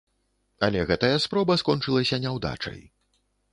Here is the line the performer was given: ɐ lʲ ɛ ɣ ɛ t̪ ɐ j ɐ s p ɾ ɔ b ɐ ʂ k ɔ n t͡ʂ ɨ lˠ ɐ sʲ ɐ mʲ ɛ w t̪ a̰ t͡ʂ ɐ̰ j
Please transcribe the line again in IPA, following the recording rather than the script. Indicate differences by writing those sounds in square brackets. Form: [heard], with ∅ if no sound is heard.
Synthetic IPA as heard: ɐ lʲ ɛ ɣ ɛ t̪ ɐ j ɐ s p ɾ ɔ b ɐ [s] k ɔ n t͡ʂ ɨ lˠ ɐ sʲ ɐ [nʲ] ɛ w [d̪] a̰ t͡ʂ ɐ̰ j